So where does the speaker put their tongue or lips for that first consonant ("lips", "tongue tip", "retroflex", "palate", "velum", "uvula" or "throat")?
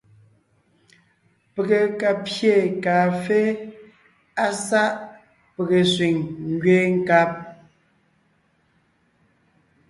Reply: lips